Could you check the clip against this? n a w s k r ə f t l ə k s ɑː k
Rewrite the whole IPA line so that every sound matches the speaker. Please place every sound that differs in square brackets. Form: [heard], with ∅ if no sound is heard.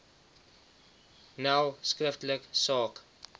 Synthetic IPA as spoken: n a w s k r ə f t l ə k s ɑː k